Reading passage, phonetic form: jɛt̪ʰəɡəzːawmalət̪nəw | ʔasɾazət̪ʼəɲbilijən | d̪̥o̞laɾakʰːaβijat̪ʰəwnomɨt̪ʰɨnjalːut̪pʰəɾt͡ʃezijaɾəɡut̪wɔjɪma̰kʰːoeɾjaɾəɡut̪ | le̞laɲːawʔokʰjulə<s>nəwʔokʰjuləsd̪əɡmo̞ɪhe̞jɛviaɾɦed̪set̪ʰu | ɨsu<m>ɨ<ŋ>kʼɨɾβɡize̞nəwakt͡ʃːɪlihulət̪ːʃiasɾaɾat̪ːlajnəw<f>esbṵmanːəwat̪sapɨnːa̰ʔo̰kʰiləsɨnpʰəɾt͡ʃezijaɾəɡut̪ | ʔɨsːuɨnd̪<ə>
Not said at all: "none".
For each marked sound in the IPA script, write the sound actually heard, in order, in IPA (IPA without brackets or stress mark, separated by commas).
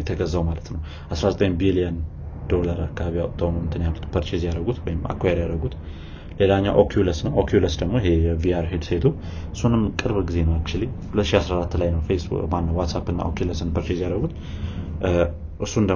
s, n, m, f, ə